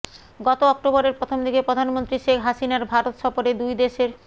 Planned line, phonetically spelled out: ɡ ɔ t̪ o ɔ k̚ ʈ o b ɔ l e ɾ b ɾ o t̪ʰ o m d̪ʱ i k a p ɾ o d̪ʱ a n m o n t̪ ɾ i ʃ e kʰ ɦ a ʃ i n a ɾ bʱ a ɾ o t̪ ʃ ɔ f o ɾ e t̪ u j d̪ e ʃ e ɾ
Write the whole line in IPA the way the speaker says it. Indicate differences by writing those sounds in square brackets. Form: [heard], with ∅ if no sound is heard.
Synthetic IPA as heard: ɡ ɔ t̪ o ɔ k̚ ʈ o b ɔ [ɾ] e ɾ [p] ɾ o t̪ʰ o m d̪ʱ i k [e] p ɾ o d̪ʱ a n m o n t̪ ɾ i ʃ e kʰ ɦ a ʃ i n a ɾ bʱ a ɾ o t̪ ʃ ɔ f o ɾ e [d̪] u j d̪ e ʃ e ɾ